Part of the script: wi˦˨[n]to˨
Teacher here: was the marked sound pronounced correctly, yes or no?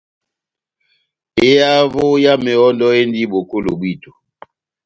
no